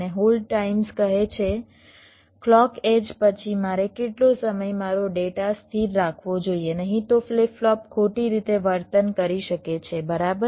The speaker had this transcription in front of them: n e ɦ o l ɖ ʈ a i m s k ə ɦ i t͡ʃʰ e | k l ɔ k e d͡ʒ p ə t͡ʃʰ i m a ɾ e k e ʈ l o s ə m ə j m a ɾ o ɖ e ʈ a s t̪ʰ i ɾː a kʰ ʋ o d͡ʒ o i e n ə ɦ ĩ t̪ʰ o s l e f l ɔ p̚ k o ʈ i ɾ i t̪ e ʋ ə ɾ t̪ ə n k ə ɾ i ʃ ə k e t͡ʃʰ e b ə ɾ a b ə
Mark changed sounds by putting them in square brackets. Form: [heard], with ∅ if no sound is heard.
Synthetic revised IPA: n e ɦ o l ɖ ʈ a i m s k ə ɦ [e] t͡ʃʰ e | k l ɔ k e d͡ʒ p ə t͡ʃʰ i m a ɾ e k e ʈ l o s ə m ə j m a ɾ o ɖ e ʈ a s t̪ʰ i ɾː a kʰ ʋ o d͡ʒ o i e n ə ɦ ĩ [t̪] o [f] l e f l ɔ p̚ [kʰ] o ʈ i ɾ i t̪ e ʋ ə ɾ t̪ ə n k ə ɾ i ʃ ə k e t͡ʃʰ e b ə ɾ a b ə

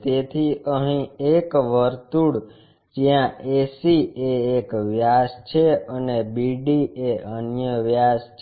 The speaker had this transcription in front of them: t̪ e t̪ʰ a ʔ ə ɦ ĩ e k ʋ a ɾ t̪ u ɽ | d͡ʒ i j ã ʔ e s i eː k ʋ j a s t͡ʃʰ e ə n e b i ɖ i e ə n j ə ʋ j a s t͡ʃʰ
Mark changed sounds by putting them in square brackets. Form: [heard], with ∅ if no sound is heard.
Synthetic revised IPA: t̪ e t̪ʰ [i] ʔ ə ɦ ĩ e k ʋ [ə] ɾ t̪ u ɽ | d͡ʒ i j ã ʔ e s i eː k ʋ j a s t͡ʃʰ e ə n e b i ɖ i e ə n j ə ʋ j a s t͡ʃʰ

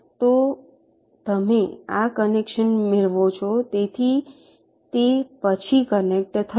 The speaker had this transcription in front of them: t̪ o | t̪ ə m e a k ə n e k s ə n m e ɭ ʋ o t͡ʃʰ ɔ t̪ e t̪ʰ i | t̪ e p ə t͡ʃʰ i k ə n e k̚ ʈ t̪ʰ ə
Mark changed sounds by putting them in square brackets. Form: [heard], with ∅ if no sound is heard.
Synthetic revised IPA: t̪ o | t̪ ə m e a k ə n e k [ʃ] ə n m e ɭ ʋ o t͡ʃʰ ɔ t̪ e t̪ʰ i | t̪ e p ə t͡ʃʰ i k ə n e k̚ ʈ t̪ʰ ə

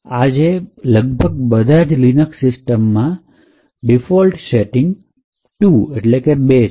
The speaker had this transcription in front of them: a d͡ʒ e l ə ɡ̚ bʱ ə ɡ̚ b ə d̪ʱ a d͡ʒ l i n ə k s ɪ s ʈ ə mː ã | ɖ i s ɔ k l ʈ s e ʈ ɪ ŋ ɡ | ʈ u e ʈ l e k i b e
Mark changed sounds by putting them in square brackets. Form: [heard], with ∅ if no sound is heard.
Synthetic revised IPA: a d͡ʒ e l ə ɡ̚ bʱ ə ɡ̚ b ə d̪ʱ a d͡ʒ l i n ə k s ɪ s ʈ ə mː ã | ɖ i [f] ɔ [∅] l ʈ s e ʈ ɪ ŋ ɡ | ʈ u e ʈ l e k [e] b e

